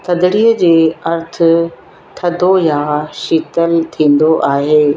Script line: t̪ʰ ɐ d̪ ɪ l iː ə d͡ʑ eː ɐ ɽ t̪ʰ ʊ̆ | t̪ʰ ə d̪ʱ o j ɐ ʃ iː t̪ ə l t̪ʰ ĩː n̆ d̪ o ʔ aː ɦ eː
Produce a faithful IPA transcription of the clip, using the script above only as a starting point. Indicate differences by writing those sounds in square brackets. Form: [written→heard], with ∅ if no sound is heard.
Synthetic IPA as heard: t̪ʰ ɐ d̪ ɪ [l→ɽ] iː ə d͡ʑ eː ɐ [ɽ→ɾ] t̪ʰ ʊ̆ | t̪ʰ [ə→ɐ] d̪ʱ o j [ɐ→a] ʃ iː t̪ ə l t̪ʰ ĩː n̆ d̪ o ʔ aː ɦ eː